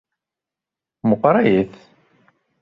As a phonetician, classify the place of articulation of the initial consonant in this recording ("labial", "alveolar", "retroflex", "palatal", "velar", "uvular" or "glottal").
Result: labial